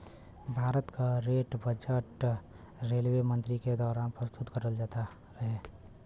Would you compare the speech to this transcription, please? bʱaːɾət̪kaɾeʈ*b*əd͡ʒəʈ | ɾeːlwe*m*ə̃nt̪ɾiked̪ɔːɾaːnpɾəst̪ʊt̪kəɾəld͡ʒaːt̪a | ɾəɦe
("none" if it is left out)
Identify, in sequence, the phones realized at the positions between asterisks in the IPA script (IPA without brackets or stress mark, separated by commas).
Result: b, m